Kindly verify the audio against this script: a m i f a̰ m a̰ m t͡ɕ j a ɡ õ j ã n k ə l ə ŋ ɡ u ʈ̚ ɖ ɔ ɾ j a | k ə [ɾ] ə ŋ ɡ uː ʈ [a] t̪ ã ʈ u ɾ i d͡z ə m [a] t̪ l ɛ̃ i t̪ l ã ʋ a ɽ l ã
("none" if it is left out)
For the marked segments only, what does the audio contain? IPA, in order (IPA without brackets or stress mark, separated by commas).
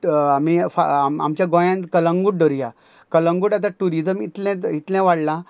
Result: l, a, i